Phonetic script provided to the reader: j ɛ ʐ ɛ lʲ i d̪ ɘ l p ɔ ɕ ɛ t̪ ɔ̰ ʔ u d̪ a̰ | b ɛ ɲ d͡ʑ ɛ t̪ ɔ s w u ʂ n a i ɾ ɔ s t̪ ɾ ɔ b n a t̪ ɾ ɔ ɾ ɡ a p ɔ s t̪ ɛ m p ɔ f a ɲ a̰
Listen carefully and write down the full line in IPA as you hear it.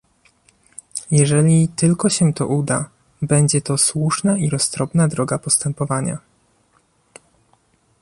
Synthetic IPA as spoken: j ɛ ʐ ɛ lʲ i t̪ ɘ l k ɔ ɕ ɛ t̪ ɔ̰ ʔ u d̪ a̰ | b ɛ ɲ d͡ʑ ɛ t̪ ɔ s w u ʂ n a i ɾ ɔ s t̪ ɾ ɔ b n a d̪ ɾ ɔ ɡ a p ɔ s t̪ ɛ m p ɔ v a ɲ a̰

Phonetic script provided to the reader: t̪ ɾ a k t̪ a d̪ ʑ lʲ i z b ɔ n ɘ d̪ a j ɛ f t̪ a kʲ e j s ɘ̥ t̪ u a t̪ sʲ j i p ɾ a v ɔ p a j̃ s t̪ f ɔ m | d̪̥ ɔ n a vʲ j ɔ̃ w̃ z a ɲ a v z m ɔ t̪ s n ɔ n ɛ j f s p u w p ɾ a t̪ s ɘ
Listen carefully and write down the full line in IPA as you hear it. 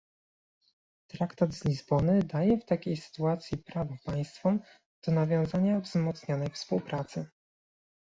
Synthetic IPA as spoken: t̪ ɾ a k t̪ a d̪ z lʲ i z b ɔ n ɘ d̪ a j ɛ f t̪ a kʲ e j s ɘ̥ t̪ u a t̪ sʲ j i p ɾ a v ɔ p a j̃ s t̪ f ɔ m | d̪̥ ɔ n a vʲ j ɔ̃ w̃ z a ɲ a v z m ɔ t̪ s ɲ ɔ n ɛ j f s p u w p ɾ a t̪ s ɘ

